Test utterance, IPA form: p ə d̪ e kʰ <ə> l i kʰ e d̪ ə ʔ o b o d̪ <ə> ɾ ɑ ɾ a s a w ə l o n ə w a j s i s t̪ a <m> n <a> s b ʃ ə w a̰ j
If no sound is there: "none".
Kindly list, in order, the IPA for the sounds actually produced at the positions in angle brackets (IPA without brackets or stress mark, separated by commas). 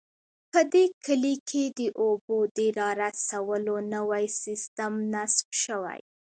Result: ə, ə, m, a